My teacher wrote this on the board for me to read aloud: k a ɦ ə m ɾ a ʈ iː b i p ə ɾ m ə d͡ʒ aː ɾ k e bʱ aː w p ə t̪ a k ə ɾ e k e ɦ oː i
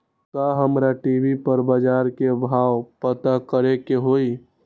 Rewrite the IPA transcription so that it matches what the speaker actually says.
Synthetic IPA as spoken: k a ɦ ə m ɾ a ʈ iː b i p ə ɾ b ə d͡ʒ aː ɾ k e bʱ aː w p ə t̪ a k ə ɾ e k e ɦ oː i